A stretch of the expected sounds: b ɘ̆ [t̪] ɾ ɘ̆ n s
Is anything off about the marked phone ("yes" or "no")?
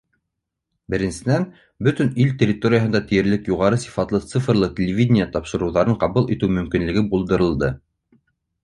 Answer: yes